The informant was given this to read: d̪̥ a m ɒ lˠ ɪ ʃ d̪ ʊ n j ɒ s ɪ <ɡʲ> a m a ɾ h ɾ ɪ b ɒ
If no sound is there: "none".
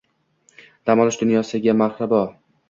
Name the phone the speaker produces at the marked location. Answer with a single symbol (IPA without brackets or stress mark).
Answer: ɡʲ